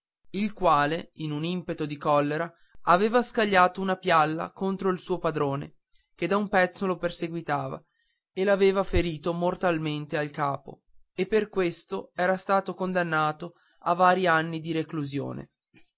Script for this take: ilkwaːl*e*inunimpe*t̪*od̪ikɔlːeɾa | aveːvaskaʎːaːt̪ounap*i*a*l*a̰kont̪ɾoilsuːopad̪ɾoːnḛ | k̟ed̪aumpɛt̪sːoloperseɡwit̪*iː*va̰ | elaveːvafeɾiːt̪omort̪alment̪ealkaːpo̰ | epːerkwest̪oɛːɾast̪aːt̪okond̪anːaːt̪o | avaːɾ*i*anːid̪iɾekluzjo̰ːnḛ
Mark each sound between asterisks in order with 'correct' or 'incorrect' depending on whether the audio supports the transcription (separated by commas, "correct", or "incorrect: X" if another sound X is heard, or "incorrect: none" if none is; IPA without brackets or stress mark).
correct, correct, incorrect: j, incorrect: lː, incorrect: aː, correct